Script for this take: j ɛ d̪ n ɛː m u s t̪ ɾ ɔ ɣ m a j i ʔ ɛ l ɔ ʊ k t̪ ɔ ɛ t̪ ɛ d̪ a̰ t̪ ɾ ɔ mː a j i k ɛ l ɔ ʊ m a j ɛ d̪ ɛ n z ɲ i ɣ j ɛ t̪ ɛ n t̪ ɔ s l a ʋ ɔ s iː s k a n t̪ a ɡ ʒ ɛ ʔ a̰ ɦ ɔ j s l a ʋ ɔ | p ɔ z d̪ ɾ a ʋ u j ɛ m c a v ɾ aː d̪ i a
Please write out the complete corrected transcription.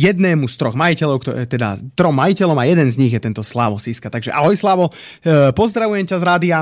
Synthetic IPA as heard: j ɛ d̪ n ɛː m u s t̪ ɾ ɔ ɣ m a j i c ɛ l ɔ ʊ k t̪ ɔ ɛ t̪ ɛ d̪ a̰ t̪ ɾ ɔ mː a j i c ɛ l ɔ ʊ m a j ɛ d̪ ɛ n z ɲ i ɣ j ɛ t̪ ɛ n t̪ ɔ s l a ʋ ɔ s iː s k a t̪ a ɡ ʒ ɛ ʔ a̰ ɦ ɔ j s l a ʋ ɔ | p ɔ z d̪ ɾ a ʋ u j ɛ m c a z ɾ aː d̪ i a